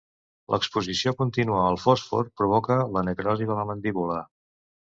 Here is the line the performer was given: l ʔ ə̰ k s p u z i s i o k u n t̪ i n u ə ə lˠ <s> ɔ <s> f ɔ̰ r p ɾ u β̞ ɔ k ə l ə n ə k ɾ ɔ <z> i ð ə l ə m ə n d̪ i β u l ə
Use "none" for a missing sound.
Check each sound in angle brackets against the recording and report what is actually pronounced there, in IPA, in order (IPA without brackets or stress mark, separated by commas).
f, s, z